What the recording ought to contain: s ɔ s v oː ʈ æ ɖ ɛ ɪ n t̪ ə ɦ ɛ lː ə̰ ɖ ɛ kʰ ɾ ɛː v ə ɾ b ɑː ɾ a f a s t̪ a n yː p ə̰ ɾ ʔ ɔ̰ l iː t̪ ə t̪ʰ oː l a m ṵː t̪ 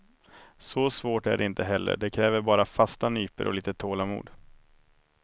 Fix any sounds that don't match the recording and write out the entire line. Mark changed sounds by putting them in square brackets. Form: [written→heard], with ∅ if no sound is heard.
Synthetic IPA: s ɔ s v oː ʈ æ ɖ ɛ ɪ n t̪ ə ɦ ɛ lː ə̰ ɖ ɛ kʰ ɾ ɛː v ə ɾ b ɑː ɾ a f a s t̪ a n yː p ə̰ ɾ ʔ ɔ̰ l iː t̪ ə t̪ʰ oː l a m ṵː [t̪→d̪]